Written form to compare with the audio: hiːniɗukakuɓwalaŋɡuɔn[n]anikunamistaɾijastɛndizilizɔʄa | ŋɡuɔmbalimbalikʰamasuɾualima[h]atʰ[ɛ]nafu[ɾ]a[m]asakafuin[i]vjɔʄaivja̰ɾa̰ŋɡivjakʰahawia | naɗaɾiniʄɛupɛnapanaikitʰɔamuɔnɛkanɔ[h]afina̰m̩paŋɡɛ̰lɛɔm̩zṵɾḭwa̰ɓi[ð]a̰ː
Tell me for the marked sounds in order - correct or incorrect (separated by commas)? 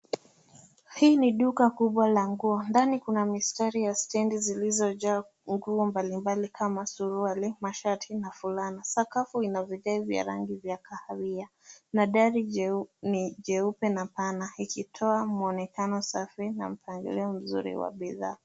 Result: incorrect, incorrect, incorrect, incorrect, incorrect, incorrect, incorrect, correct